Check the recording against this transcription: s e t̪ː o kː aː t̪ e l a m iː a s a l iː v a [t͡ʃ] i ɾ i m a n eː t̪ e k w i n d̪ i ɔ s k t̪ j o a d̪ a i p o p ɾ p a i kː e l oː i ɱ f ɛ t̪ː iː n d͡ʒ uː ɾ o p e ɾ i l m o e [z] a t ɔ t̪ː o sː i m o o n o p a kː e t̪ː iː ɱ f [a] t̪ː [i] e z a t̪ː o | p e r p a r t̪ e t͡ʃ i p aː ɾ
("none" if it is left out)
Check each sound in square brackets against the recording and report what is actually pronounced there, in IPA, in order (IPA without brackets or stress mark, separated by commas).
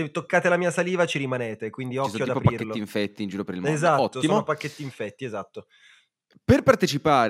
t͡ʃ, z, ɛ, i